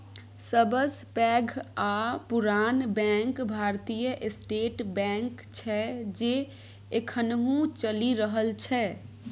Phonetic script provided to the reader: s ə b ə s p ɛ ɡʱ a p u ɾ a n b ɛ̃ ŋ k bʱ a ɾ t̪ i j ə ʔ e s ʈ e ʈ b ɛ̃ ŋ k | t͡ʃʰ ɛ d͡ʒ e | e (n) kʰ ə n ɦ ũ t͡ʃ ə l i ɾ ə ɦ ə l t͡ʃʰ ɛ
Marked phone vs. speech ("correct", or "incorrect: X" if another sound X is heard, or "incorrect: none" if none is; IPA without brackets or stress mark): incorrect: none